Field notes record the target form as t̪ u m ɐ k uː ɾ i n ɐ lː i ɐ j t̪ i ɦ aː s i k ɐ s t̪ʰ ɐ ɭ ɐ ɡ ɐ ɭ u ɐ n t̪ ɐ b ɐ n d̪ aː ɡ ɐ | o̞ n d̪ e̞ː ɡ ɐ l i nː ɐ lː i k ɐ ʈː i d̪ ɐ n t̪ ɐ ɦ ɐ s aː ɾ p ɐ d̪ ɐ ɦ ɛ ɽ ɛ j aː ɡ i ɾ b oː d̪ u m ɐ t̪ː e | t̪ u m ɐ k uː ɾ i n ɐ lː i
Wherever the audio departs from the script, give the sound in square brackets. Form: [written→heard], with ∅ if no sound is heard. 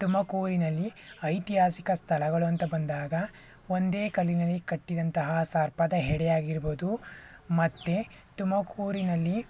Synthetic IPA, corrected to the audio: t̪ u m ɐ k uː ɾ i n ɐ lː i ɐ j t̪ i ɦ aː s i k ɐ s t̪ʰ ɐ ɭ ɐ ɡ ɐ ɭ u ɐ n t̪ ɐ b ɐ n d̪ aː ɡ ɐ | o̞ n d̪ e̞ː [ɡ→k] ɐ l i [nː→n] ɐ lː i k ɐ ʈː i d̪ ɐ n t̪ ɐ ɦ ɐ s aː ɾ p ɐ d̪ ɐ ɦ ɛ ɽ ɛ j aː ɡ i ɾ b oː d̪ u m ɐ t̪ː e | t̪ u m ɐ k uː ɾ i n ɐ lː i